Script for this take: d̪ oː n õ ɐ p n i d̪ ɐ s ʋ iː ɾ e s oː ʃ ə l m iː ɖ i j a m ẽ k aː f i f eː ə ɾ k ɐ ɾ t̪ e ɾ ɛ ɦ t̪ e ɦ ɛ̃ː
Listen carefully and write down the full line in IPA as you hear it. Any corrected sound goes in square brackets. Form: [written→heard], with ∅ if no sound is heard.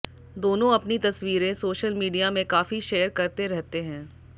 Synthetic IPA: d̪ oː n õ ɐ p n i [d̪→t̪] ɐ s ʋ iː ɾ [e→ẽ] s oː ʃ ə l m iː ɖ i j a m ẽ k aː f i [f→ʃ] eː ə ɾ k ɐ ɾ t̪ e ɾ ɛ ɦ t̪ e ɦ ɛ̃ː

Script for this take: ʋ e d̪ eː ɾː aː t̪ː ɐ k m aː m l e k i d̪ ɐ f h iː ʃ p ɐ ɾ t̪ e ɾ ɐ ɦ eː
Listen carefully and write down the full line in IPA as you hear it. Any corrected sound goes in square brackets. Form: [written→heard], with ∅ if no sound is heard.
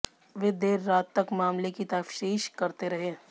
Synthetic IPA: ʋ e d̪ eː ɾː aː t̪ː ɐ k m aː m l e k i [d̪→t̪] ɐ f [h→ʃ] iː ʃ [p→k] ɐ ɾ t̪ e ɾ ɐ ɦ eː

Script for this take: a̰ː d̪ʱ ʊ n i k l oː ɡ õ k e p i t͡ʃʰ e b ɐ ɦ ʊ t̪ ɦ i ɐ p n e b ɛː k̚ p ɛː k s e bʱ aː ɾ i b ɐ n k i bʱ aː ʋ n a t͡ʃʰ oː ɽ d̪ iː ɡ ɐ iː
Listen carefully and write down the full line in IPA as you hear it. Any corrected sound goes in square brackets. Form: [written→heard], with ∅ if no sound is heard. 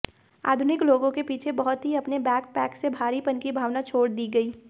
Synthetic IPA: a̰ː d̪ʱ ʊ n [i→ɪ] k l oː ɡ õ k e p [i→iː] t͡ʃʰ e b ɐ ɦ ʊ t̪ ɦ i ɐ p n e b ɛː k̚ p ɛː k s e bʱ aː ɾ i [b→p] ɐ n k i bʱ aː ʋ n a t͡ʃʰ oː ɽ d̪ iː ɡ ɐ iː

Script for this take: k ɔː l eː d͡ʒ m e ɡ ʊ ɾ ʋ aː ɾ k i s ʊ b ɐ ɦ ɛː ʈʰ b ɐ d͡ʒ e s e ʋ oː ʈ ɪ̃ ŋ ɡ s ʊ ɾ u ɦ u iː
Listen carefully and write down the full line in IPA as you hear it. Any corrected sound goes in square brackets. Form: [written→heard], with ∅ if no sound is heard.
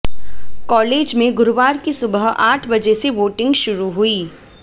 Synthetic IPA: k ɔː l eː d͡ʒ m [e→ẽ] ɡ ʊ ɾ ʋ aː ɾ k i s ʊ b [ɐ→ə] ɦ [ɛː→aː] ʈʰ b ɐ d͡ʒ e s e ʋ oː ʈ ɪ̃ ŋ ɡ [s→ʃ] ʊ ɾ u ɦ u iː

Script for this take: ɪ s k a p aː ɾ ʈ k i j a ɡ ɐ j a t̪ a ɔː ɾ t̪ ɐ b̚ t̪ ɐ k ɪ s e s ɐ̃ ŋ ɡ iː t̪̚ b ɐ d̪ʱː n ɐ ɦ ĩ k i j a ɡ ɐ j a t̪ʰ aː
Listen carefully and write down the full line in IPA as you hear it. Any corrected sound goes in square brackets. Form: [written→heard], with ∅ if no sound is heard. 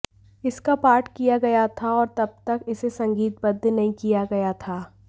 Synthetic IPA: ɪ s k a p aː ɾ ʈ k i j a ɡ ɐ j a [t̪→t̪ʰ] a ɔː ɾ t̪ ɐ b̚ t̪ ɐ k ɪ s e s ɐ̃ ŋ ɡ iː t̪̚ b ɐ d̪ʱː n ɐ ɦ ĩ k i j a ɡ ɐ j a t̪ʰ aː

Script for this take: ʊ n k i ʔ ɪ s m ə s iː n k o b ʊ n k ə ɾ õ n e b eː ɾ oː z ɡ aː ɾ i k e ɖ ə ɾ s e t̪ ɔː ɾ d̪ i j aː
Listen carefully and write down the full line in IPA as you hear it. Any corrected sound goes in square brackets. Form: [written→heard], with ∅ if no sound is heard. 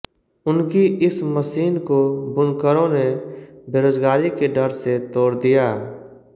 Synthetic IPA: ʊ n k i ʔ ɪ s m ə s iː n k o b ʊ n k ə ɾ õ n e b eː ɾ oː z ɡ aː ɾ i k e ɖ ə ɾ s e t̪ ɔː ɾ d̪ i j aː

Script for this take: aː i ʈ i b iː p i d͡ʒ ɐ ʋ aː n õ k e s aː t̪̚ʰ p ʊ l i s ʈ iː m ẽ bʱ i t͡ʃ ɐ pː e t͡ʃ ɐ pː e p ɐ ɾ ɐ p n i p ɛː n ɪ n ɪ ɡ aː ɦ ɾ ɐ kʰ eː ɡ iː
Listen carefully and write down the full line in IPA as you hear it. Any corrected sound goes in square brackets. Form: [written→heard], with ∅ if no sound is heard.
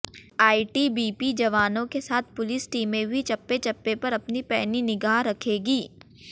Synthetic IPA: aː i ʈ i b iː p i d͡ʒ ɐ ʋ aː n õ k e s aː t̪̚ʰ p ʊ l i s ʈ iː m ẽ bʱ i t͡ʃ ɐ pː e t͡ʃ ɐ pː e p ɐ ɾ ɐ p n i p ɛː n [ɪ→i] n ɪ ɡ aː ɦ ɾ ɐ kʰ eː ɡ iː

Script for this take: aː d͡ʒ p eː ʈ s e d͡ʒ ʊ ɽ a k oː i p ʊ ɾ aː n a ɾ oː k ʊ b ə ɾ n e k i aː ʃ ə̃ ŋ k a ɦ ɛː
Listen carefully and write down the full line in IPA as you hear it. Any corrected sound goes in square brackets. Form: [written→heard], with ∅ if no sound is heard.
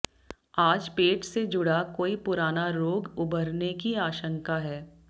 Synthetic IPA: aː d͡ʒ p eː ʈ s e d͡ʒ ʊ ɽ a k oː i p ʊ ɾ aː n a ɾ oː [k→ɡ] ʊ b ə ɾ n e k i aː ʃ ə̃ ŋ k a ɦ ɛː

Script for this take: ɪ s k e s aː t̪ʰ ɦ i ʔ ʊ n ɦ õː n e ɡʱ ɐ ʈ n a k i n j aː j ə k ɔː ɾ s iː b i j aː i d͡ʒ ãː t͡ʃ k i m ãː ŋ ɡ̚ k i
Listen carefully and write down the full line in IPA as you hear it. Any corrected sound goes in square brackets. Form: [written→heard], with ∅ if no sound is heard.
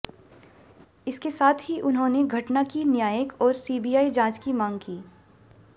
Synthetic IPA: ɪ s k e s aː t̪ʰ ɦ i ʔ ʊ n ɦ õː n e ɡʱ ɐ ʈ n a k i n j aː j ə k ɔː ɾ s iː b i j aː i d͡ʒ ãː t͡ʃ k i m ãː ŋ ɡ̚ k [i→iː]

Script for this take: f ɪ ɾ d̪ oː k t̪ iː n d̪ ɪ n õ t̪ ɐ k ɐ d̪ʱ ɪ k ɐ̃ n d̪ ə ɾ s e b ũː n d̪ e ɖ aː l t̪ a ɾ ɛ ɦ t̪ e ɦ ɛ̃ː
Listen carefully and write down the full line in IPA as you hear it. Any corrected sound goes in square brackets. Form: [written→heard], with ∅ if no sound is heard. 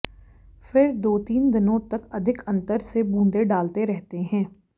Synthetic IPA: f ɪ ɾ d̪ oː [k→∅] t̪ iː n d̪ ɪ n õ t̪ ɐ k ɐ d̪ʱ ɪ k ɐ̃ n [d̪→t̪] ə ɾ s e b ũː n d̪ e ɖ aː l t̪ [a→e] ɾ ɛ ɦ t̪ e ɦ ɛ̃ː

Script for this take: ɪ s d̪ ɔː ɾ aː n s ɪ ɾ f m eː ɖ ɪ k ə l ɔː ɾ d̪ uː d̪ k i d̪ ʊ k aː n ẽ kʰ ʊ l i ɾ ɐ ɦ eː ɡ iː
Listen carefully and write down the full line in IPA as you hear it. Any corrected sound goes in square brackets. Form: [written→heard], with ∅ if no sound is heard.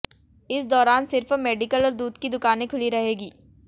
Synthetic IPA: ɪ s d̪ ɔː ɾ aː n s ɪ ɾ f m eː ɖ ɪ k ə l ɔː ɾ d̪ uː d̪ k i d̪ ʊ k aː n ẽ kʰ ʊ l i ɾ ɐ ɦ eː ɡ iː

